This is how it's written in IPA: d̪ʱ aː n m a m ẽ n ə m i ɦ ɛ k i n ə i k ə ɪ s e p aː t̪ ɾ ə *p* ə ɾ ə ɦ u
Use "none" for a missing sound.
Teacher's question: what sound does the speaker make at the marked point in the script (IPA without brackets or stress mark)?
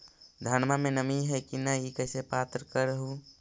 k